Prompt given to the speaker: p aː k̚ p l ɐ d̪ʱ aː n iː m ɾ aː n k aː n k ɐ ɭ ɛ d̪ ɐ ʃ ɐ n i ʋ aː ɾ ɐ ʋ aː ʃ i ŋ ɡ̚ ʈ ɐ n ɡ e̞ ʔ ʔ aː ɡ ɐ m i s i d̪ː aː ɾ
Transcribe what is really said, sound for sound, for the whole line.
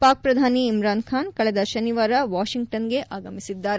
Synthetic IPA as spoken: p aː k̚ p ɾ ɐ d̪ʱ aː n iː m ɾ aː n kʰ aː n k ɐ ɭ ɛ d̪ ɐ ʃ ɐ n i ʋ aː ɾ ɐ ʋ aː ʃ i ŋ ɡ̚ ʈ ɐ n ɡ e̞ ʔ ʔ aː ɡ ɐ m i s i d̪ː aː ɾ